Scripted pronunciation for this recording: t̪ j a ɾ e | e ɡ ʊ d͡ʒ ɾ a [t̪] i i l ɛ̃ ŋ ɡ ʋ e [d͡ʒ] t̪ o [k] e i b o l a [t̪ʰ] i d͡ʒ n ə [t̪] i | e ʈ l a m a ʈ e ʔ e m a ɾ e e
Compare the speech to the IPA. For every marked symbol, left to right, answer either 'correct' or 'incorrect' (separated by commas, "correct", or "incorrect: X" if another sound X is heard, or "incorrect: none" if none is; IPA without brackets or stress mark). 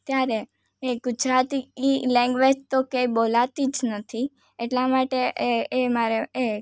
correct, correct, correct, incorrect: t̪, incorrect: t̪ʰ